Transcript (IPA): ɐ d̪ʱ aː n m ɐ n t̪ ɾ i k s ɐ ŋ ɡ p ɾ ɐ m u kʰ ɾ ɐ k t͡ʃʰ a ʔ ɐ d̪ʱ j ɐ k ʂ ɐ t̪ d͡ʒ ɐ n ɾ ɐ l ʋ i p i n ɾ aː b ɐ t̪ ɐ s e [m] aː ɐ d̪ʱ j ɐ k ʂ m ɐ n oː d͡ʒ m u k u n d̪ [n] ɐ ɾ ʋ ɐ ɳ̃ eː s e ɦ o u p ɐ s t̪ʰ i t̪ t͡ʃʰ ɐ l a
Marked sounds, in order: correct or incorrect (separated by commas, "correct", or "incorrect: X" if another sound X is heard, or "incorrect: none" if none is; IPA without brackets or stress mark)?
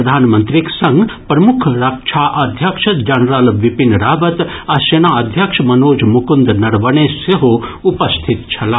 incorrect: n, correct